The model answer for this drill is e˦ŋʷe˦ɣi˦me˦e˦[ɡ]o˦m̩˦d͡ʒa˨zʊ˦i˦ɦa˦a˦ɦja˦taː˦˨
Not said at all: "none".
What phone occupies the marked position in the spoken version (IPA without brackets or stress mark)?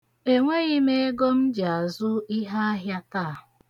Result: ɡ